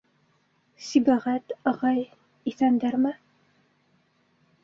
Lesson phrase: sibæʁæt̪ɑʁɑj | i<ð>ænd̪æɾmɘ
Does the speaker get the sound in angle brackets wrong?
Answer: yes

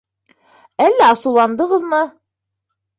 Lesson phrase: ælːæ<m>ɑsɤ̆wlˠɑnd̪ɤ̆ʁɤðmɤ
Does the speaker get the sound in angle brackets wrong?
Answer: yes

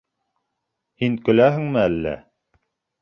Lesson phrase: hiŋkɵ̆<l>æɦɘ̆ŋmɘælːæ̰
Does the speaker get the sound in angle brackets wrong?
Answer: no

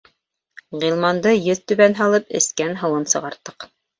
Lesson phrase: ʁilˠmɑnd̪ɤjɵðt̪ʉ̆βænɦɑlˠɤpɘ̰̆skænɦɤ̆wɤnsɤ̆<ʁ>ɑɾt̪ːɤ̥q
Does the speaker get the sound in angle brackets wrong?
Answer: no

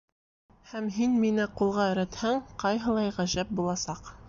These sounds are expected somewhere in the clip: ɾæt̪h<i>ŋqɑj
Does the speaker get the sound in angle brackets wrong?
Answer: yes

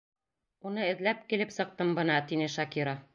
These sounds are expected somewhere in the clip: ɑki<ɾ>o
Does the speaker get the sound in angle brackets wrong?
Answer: no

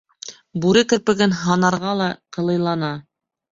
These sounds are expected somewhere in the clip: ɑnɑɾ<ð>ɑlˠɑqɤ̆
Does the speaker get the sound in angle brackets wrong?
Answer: yes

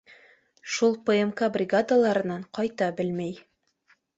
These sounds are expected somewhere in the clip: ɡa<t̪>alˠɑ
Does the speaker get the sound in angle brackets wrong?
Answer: yes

